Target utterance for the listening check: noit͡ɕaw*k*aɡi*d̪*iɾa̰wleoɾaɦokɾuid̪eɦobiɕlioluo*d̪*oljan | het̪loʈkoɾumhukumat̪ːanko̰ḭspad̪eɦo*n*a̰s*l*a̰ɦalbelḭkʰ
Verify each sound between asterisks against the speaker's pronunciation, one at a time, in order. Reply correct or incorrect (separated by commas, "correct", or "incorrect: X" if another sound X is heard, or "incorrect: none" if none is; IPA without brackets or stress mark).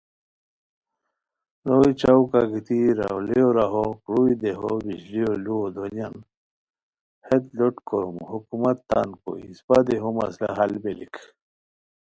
correct, incorrect: t̪, correct, incorrect: m, correct